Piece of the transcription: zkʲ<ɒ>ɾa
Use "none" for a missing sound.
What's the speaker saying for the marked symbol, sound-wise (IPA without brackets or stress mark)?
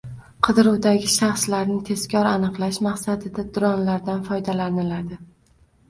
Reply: ɒ